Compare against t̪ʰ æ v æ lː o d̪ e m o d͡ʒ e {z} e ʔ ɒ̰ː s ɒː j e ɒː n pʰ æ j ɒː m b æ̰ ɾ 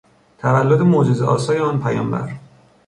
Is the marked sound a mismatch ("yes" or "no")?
no